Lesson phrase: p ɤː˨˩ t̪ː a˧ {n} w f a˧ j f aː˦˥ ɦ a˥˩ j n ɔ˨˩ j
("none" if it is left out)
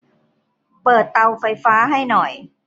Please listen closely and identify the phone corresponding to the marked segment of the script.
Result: none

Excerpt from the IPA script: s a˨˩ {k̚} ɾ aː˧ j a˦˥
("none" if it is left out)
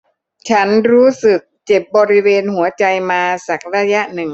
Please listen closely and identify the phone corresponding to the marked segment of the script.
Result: k̚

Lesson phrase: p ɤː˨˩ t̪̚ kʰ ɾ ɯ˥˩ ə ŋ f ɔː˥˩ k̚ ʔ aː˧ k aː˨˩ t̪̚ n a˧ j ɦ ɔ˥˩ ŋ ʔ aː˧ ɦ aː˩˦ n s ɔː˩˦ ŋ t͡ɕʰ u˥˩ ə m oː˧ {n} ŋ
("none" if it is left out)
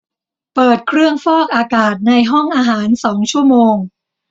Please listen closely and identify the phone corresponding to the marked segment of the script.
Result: none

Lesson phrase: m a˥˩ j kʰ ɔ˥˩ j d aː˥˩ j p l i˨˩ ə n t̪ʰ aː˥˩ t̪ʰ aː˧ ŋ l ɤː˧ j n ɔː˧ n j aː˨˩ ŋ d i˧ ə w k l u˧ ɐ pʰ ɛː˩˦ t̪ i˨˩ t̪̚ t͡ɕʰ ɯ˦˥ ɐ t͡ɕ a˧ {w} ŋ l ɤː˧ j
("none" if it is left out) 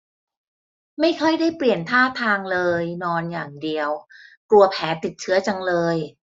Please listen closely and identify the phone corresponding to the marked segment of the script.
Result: none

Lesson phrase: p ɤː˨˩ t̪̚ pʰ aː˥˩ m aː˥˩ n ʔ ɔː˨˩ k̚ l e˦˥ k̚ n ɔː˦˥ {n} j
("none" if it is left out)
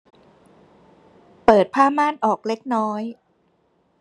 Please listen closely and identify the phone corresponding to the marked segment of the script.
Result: none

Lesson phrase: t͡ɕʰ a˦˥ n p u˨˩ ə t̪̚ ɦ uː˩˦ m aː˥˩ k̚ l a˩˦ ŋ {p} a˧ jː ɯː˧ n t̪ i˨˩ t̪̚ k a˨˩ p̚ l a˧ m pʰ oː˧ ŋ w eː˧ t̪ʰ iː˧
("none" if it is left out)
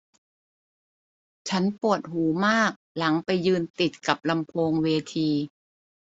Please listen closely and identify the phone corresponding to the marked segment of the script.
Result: p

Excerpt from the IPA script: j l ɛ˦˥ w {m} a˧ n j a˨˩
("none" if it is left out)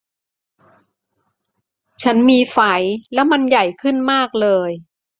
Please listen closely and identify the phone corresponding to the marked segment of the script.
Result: m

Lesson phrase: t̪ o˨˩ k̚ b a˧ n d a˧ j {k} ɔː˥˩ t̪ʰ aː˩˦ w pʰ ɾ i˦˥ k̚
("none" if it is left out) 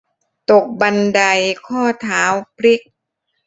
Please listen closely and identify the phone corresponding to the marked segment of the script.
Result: kʰ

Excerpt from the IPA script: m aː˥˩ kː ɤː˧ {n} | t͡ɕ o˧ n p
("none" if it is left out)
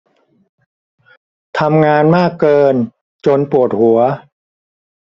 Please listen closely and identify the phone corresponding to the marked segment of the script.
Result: n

